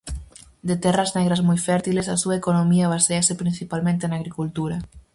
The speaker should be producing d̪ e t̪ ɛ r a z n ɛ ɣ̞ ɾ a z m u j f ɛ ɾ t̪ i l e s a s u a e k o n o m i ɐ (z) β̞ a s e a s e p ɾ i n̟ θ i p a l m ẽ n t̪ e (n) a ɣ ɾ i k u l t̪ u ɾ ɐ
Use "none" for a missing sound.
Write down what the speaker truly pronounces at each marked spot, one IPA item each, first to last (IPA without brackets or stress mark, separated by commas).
none, n